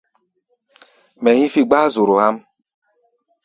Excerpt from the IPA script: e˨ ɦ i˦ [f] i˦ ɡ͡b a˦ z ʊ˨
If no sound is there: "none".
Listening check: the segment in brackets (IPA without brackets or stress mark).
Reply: f